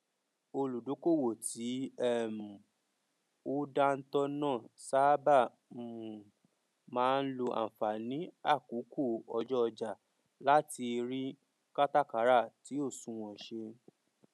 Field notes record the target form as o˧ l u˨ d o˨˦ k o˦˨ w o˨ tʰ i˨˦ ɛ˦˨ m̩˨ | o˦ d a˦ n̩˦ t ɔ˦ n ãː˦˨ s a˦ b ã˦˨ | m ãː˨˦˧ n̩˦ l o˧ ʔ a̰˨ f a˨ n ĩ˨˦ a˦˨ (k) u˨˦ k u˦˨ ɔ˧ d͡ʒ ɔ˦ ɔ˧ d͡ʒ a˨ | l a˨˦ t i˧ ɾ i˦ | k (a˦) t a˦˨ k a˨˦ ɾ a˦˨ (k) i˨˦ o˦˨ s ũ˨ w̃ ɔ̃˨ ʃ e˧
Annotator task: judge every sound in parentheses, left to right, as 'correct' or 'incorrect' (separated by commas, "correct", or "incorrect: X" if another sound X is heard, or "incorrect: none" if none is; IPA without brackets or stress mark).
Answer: correct, correct, incorrect: t